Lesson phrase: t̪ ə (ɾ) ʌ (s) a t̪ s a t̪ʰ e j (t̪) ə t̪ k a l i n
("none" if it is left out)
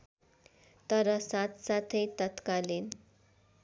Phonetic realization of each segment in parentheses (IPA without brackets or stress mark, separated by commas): ɾ, s, t̪